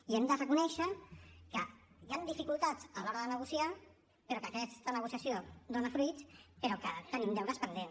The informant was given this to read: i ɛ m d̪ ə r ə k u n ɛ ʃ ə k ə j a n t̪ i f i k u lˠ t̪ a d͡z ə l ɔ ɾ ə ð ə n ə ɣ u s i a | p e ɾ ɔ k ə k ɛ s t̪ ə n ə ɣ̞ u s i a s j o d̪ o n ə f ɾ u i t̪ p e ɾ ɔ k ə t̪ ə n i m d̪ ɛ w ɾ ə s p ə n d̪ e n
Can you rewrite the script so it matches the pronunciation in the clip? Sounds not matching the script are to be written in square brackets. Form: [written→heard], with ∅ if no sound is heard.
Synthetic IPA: i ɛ m d̪ ə r ə k u n ɛ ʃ ə k ə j a n [t̪→d̪] i f i k u lˠ t̪ a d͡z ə l ɔ ɾ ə ð ə n ə ɣ u s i a | p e ɾ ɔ k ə k ɛ s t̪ ə n ə ɣ̞ u s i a s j o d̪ o n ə f ɾ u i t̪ p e ɾ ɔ k ə t̪ ə n i m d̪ ɛ w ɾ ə s p ə n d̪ e n